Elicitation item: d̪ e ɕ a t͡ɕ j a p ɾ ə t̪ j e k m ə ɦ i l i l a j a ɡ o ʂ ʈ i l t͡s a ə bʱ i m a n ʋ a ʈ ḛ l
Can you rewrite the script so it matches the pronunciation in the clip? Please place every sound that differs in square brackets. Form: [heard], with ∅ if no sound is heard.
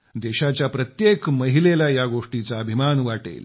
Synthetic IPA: d̪ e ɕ a t͡ɕ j a p ɾ ə t̪ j e k m ə ɦ i l [e] l a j a ɡ o ʂ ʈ i [∅] t͡s a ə bʱ i m a n ʋ a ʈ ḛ l